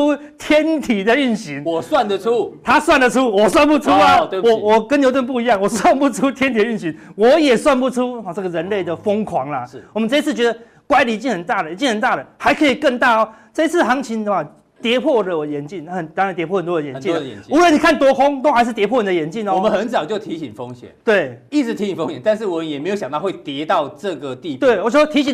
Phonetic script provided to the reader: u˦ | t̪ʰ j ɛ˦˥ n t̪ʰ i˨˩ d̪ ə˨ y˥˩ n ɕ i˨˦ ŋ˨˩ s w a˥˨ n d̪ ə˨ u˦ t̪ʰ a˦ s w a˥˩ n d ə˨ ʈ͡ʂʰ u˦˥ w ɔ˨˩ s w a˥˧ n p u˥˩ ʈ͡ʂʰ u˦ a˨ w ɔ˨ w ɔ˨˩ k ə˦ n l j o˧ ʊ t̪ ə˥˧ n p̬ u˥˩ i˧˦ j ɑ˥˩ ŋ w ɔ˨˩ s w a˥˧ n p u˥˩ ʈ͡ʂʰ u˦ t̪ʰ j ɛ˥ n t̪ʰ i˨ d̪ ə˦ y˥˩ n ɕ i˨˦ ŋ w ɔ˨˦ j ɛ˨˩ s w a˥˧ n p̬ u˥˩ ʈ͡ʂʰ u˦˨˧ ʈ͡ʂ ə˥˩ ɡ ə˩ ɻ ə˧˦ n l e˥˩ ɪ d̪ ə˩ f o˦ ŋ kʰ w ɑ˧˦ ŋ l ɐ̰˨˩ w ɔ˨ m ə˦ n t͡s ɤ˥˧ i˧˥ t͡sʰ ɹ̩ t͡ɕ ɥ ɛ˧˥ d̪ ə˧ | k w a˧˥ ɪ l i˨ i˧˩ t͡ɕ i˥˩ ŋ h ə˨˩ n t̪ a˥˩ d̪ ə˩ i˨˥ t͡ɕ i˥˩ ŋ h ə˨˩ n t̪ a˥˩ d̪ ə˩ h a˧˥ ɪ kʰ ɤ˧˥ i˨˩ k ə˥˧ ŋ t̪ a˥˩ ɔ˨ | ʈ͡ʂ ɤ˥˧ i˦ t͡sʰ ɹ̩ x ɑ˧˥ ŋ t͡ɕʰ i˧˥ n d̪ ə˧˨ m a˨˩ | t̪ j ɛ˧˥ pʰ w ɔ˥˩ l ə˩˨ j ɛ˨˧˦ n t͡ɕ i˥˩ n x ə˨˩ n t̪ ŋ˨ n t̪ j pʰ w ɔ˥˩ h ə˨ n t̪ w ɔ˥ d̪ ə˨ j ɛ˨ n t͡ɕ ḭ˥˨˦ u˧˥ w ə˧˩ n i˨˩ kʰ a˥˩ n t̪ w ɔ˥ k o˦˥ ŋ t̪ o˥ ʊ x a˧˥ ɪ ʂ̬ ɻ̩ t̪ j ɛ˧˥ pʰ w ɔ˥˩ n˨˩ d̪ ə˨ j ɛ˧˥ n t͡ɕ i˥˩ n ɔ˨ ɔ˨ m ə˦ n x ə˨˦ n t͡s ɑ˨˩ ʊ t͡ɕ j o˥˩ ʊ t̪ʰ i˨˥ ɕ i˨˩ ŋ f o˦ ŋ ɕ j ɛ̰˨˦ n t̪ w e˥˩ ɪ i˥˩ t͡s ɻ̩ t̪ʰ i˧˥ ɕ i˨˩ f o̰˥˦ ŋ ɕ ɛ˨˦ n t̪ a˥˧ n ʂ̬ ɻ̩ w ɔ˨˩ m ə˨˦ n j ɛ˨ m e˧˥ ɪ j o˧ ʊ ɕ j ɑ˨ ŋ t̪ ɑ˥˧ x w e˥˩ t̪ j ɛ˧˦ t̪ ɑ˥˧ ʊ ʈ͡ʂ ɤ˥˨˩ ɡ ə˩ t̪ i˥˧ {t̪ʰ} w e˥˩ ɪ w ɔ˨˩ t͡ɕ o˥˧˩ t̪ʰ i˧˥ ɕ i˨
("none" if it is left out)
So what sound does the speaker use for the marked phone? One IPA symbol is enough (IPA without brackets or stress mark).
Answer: t̪